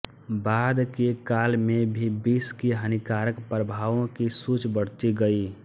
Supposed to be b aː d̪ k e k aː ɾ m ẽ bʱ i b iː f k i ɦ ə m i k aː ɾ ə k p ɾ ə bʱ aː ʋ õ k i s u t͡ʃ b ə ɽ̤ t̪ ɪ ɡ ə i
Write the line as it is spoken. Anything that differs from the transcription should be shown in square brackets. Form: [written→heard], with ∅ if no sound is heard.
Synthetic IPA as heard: b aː d̪ k e k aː [ɾ→l] m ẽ bʱ i b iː [f→s] k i ɦ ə [m→n] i k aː ɾ ə k p ɾ ə bʱ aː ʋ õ k i s u t͡ʃ b ə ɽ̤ t̪ [ɪ→i] ɡ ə i